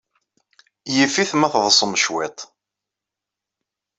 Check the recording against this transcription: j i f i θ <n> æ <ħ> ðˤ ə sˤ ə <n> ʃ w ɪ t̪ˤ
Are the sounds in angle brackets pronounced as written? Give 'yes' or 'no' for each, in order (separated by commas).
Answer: no, no, no